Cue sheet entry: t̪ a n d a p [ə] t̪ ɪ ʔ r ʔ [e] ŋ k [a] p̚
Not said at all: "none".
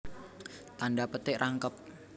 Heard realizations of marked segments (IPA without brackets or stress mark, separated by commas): ə, a, ə